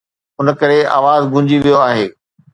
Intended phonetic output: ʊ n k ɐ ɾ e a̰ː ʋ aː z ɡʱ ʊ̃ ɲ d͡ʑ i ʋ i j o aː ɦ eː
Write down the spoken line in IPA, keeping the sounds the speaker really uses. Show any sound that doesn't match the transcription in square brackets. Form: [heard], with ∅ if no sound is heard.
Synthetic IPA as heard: ʊ n k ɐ ɾ e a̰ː ʋ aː z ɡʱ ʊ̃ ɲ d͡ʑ i ʋ i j o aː ɦ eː